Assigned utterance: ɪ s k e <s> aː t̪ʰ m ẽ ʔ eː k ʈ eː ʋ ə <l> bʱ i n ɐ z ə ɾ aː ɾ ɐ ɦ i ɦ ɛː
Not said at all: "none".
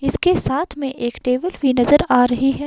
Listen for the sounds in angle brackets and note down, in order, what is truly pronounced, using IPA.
s, l

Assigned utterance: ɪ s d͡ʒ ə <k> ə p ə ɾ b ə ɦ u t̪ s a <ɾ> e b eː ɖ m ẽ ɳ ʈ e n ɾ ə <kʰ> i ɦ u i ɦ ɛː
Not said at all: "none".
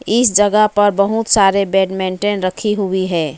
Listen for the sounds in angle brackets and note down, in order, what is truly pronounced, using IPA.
ɡ, ɾ, kʰ

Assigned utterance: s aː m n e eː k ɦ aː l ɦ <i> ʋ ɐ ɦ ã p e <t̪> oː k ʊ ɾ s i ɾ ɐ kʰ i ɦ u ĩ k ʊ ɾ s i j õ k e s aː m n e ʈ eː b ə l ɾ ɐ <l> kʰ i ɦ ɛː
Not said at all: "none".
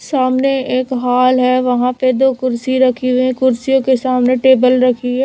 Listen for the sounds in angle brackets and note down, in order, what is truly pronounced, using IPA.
ɛ, d̪, none

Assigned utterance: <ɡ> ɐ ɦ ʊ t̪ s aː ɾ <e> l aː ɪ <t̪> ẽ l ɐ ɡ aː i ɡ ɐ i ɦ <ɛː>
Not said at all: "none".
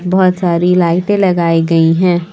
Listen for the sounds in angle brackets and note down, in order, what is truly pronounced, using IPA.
b, i, t̪, ɛ̃ː

